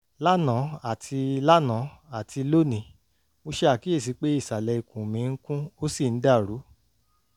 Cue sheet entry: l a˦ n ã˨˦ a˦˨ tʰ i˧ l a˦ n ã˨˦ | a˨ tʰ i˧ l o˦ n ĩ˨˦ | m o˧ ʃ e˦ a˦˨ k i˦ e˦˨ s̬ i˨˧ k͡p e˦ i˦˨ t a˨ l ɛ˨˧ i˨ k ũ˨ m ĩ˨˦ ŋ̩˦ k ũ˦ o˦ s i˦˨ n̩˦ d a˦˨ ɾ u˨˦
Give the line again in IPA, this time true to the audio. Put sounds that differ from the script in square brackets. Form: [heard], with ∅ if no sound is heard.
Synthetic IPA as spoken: l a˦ n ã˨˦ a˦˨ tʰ i˧ l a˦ n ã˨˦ | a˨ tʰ i˧ l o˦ n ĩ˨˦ | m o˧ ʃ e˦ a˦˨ k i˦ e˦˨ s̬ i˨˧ k͡p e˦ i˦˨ [s] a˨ l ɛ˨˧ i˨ k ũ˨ m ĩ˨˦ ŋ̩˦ k ũ˦ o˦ s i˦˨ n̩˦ d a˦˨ ɾ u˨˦